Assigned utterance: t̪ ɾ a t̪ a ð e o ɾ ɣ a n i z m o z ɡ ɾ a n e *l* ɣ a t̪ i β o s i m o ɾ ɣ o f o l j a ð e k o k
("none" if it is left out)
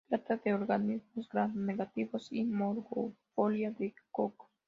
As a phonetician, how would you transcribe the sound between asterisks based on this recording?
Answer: none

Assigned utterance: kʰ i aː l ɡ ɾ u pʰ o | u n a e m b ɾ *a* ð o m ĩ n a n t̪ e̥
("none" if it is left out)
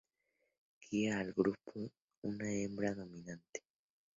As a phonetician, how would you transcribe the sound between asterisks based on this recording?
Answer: a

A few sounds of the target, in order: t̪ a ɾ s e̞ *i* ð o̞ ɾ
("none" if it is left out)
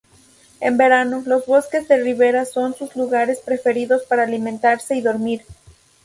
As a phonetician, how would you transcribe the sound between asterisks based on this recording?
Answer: i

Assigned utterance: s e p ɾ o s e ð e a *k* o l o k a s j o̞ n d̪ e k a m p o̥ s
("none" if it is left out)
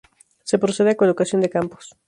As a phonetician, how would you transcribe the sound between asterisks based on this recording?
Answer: k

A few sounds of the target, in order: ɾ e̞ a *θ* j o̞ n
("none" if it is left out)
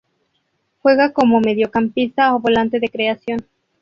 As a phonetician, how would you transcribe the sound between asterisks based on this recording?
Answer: s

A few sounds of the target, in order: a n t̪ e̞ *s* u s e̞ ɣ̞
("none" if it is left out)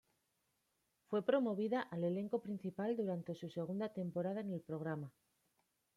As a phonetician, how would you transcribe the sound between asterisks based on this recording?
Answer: s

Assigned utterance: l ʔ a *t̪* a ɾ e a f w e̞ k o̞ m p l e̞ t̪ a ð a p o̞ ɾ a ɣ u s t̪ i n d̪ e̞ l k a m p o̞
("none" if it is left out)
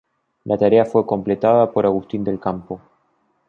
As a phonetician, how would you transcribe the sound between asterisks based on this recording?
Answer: t̪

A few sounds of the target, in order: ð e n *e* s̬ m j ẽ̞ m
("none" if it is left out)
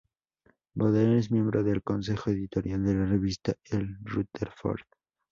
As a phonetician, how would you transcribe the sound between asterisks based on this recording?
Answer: e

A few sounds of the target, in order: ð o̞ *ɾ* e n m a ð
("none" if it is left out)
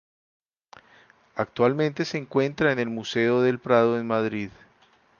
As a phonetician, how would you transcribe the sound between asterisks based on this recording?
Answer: none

